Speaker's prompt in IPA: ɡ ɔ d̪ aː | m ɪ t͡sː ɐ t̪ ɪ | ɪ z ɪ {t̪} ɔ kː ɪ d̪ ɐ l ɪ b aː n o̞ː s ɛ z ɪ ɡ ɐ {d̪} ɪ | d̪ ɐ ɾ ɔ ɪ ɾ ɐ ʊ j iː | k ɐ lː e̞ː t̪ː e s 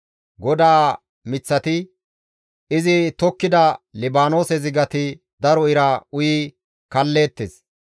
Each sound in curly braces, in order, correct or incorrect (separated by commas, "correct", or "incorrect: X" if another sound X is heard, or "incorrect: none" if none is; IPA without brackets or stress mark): correct, incorrect: t̪